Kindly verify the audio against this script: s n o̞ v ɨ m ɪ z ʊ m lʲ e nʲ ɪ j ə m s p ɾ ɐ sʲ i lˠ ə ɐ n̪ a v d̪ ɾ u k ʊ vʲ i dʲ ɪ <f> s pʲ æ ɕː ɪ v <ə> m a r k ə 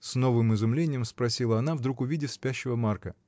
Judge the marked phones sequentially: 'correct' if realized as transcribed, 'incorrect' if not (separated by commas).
correct, correct